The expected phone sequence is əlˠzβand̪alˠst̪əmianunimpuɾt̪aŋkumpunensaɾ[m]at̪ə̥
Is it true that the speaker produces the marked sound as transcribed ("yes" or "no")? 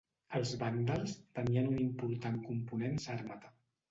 yes